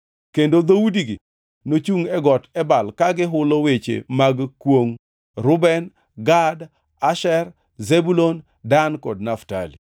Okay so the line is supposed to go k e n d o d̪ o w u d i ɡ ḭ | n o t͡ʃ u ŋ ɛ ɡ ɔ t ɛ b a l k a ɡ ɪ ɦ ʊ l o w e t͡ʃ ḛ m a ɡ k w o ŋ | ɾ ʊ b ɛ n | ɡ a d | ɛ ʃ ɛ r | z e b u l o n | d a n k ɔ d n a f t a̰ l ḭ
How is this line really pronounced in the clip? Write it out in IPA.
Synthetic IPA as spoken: k e n d o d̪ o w u d i ɡ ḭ | n o t͡ʃ u ŋ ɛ ɡ ɔ t ɛ b a l k a ɡ ɪ ɦ ʊ l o w e t͡ʃ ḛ m a ɡ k w o ŋ | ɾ ʊ b ɛ n | ɡ a d | a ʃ ɛ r | z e b u l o n | d a n k ɔ d n a f t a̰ l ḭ